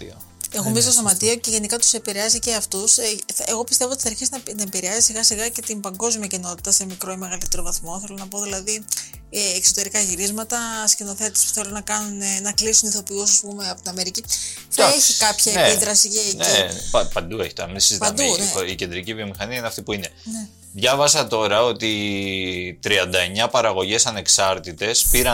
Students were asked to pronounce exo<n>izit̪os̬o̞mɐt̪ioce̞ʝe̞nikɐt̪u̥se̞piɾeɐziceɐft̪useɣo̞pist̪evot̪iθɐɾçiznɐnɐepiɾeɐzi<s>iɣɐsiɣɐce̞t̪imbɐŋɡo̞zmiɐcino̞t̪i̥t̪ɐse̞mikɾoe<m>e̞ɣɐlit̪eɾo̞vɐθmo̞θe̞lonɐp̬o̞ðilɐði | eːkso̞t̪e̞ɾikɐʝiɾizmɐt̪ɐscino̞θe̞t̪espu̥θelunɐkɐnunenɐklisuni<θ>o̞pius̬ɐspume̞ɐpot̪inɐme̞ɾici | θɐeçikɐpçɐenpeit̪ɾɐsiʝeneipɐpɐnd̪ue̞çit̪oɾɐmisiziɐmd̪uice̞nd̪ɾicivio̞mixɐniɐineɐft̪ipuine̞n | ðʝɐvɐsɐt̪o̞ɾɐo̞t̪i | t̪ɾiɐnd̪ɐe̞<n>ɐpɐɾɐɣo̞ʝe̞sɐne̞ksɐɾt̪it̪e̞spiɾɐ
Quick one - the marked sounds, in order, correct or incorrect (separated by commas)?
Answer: incorrect, correct, correct, correct, incorrect